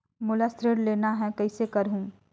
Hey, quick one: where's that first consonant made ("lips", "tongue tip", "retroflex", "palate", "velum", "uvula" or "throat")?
lips